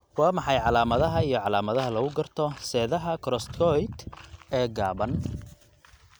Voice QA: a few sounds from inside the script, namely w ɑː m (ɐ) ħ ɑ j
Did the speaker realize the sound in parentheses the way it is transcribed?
no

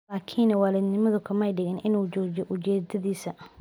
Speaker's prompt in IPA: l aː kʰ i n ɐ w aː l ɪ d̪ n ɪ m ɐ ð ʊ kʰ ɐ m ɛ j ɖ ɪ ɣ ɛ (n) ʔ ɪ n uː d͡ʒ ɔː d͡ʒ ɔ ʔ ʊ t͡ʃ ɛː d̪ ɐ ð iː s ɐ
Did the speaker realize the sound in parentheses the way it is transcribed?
yes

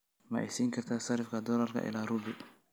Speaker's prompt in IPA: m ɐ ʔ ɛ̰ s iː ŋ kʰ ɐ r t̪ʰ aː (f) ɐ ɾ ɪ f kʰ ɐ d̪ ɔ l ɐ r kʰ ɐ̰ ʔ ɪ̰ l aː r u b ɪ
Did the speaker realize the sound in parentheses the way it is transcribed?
no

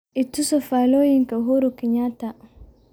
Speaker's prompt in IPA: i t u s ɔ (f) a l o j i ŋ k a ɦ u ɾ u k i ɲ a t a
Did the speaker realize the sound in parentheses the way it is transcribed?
yes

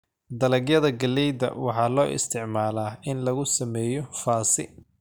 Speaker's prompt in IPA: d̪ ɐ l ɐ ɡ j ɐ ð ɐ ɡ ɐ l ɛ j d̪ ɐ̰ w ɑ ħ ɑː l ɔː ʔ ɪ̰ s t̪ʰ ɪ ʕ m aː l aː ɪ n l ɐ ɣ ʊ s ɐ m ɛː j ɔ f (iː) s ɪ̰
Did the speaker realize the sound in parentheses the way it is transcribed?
no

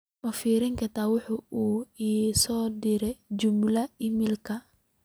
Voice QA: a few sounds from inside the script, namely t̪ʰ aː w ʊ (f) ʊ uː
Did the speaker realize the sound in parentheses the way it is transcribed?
no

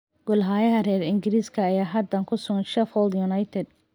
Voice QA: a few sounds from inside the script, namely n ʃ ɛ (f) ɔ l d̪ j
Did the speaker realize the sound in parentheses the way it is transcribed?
yes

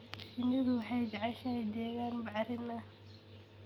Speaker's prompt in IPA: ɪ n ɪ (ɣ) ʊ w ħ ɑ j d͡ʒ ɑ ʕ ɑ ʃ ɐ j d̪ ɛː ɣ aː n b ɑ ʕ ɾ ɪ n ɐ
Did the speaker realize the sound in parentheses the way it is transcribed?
yes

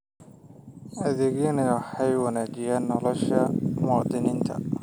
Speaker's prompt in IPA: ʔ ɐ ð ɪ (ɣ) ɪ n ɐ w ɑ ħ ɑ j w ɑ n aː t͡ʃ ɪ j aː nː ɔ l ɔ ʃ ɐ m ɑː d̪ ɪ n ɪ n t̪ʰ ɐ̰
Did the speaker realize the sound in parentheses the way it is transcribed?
yes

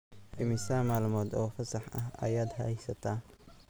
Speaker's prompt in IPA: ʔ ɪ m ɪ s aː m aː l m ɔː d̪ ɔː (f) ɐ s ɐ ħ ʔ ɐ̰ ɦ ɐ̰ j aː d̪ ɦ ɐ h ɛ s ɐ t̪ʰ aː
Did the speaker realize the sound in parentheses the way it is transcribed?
yes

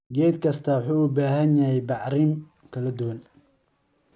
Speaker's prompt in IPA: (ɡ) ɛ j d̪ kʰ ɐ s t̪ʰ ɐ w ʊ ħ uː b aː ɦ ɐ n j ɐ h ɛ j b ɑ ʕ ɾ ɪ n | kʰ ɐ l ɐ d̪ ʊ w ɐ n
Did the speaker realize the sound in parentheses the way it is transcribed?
yes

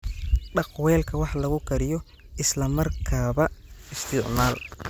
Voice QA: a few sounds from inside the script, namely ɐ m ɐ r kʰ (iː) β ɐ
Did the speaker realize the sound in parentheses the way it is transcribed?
no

